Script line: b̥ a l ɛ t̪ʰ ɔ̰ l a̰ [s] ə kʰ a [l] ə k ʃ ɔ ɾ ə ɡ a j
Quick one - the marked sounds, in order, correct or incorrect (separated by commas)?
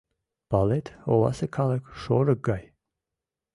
correct, correct